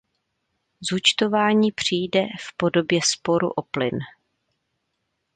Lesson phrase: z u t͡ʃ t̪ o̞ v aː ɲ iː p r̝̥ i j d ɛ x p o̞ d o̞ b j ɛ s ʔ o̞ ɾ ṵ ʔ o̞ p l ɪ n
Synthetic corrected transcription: z u t͡ʃ t̪ o̞ v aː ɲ iː p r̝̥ i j d ɛ f p o̞ d o̞ b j ɛ s p o̞ ɾ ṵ ʔ o̞ p l ɪ n